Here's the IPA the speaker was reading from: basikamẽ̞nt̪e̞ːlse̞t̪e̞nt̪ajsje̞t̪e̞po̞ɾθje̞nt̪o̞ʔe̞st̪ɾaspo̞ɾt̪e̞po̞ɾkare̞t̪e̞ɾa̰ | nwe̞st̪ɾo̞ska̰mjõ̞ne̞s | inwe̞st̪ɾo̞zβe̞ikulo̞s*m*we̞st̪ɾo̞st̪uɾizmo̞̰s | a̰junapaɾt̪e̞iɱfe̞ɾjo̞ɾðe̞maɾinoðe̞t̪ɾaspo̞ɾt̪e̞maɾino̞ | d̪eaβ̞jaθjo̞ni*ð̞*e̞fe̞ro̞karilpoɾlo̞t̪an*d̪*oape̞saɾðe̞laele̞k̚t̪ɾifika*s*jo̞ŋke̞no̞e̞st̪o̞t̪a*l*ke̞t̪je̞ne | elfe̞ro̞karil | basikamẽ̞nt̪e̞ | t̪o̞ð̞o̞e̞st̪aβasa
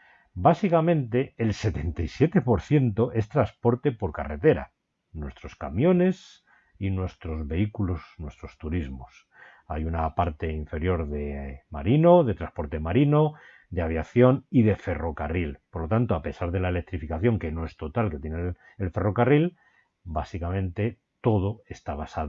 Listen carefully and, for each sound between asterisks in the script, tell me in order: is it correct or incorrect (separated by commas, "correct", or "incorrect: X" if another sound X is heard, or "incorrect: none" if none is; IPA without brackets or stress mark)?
incorrect: n, correct, incorrect: t̪, incorrect: θ, correct